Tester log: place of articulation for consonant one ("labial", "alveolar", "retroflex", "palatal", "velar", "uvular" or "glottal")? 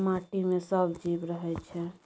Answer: labial